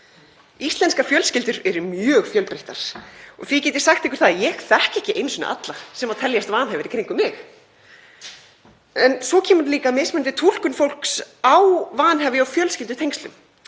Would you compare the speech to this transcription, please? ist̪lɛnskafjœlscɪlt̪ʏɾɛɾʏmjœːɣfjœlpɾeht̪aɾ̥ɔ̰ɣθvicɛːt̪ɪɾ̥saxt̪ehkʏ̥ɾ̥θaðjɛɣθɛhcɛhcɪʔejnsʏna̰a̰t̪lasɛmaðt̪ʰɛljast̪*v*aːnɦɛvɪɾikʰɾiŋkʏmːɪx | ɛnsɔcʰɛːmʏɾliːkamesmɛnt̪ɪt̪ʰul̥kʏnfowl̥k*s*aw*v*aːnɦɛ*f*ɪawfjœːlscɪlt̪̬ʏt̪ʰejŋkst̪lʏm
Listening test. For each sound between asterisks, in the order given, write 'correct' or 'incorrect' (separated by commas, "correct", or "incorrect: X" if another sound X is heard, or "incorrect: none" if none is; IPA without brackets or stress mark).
correct, correct, correct, incorrect: v